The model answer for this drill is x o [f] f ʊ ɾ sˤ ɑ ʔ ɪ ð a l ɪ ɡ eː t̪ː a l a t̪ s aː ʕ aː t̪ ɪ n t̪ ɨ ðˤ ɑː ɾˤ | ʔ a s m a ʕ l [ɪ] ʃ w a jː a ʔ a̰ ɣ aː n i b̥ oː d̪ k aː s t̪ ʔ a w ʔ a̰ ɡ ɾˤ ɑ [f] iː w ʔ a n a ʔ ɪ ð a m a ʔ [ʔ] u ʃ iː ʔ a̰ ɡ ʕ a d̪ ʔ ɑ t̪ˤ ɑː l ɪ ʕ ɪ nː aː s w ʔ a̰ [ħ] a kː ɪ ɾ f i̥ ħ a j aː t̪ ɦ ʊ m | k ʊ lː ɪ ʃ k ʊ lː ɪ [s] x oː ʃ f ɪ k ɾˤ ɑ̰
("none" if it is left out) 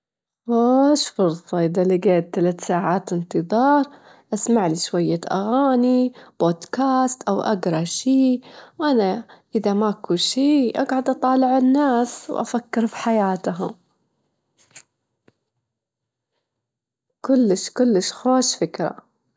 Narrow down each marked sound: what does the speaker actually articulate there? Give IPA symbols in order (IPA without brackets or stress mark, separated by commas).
ʃ, i, ʃ, k, f, ʃ